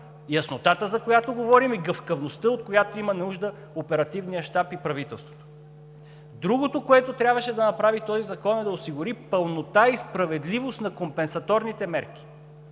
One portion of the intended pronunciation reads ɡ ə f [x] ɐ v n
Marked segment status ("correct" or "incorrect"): incorrect